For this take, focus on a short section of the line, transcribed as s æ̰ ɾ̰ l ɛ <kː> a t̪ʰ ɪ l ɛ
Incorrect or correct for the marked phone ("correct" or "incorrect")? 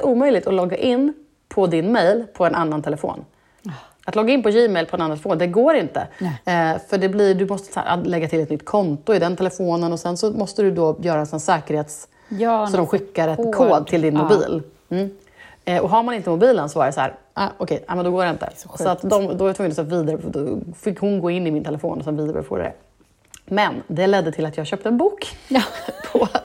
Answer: incorrect